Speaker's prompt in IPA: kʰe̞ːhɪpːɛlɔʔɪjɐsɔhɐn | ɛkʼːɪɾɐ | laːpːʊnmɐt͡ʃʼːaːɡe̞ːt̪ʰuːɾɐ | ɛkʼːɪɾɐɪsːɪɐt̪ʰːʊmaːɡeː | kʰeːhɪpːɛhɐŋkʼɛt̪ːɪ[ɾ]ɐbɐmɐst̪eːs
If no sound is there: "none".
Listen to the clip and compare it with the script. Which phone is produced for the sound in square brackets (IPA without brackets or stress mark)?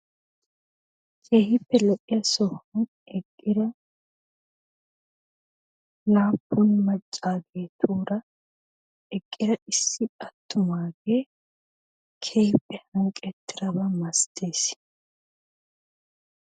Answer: ɾ